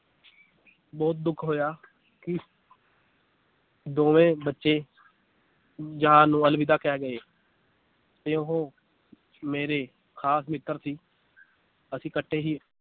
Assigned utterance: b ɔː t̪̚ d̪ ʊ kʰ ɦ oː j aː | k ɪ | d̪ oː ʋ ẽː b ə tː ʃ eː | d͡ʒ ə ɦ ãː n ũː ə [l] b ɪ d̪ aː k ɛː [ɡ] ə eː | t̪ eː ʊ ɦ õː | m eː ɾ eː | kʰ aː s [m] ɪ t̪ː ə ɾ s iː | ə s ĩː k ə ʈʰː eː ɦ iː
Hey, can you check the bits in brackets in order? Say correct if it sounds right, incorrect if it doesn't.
correct, correct, correct

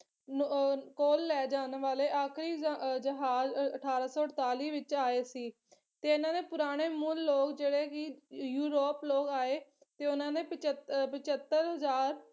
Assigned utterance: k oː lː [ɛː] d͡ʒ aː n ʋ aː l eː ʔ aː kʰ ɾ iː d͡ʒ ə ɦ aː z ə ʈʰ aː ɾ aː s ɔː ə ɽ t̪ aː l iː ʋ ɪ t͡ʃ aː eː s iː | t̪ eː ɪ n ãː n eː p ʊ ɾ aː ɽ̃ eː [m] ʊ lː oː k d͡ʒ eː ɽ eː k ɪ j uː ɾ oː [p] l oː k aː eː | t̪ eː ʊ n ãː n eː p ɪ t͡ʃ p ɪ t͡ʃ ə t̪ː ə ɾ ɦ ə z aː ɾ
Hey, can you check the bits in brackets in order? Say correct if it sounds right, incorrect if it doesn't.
correct, correct, correct

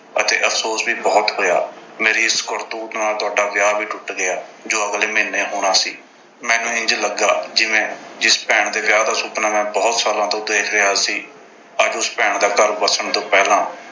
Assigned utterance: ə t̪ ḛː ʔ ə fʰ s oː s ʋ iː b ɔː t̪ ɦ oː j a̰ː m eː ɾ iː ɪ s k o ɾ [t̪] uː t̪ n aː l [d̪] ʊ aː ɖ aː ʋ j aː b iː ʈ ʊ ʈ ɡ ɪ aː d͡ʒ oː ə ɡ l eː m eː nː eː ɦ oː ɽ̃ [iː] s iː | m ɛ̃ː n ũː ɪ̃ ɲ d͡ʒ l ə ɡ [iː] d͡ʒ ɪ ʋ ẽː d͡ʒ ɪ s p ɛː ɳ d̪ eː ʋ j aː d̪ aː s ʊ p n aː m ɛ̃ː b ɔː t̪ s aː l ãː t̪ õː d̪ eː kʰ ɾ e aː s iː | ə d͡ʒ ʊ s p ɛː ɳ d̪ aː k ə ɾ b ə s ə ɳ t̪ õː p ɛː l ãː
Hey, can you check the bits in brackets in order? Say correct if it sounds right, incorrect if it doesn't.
correct, incorrect: t̪, incorrect: aː, incorrect: aː

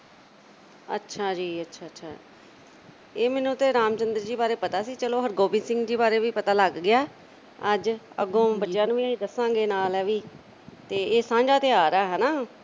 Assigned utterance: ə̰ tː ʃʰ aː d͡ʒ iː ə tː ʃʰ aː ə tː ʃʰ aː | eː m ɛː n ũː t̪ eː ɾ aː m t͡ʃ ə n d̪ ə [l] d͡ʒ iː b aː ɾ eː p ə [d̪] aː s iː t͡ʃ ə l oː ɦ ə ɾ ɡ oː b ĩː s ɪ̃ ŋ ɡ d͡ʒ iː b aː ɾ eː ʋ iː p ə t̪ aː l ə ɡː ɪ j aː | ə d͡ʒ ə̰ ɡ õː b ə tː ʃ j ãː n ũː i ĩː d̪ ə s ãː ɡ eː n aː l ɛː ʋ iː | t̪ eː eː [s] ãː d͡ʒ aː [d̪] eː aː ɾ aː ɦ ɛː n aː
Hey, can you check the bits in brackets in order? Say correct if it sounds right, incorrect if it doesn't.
incorrect: ɾ, incorrect: t̪, correct, incorrect: t̪

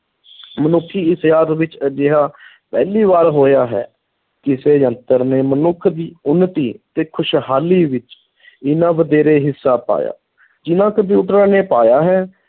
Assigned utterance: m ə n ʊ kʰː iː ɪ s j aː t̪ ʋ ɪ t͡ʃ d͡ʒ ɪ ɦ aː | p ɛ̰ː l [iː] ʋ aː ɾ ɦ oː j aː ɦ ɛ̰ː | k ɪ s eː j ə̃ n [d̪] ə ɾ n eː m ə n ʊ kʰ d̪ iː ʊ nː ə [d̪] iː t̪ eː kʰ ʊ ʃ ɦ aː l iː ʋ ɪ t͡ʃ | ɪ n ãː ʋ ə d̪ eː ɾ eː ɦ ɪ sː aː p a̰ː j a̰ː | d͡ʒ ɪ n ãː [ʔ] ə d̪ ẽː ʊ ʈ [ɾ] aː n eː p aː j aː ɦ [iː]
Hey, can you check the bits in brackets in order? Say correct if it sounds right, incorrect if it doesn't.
correct, incorrect: t̪, incorrect: t̪, incorrect: k, correct, incorrect: ɛː

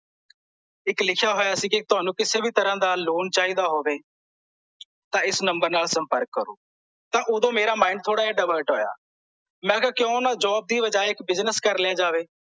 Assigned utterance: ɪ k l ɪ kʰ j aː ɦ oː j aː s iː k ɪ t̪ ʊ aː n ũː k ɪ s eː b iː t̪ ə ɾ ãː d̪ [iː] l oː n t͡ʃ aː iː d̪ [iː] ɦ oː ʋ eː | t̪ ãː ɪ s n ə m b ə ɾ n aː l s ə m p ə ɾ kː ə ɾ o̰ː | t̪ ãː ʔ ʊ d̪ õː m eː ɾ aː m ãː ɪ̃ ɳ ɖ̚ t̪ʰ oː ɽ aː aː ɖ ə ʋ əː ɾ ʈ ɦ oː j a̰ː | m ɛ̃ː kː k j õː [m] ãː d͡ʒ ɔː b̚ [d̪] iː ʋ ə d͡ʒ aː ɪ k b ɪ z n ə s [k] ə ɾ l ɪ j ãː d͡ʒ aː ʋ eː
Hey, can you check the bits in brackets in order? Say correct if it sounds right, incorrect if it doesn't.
incorrect: aː, incorrect: aː, incorrect: n, correct, correct

